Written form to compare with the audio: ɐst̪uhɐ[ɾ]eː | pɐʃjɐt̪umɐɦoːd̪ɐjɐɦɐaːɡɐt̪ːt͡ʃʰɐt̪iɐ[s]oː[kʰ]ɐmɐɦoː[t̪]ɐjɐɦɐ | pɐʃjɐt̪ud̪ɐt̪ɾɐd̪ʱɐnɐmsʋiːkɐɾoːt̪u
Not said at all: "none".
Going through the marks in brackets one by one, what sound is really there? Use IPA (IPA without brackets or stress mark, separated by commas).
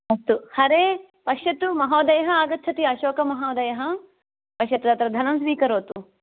ɾ, ʃ, k, d̪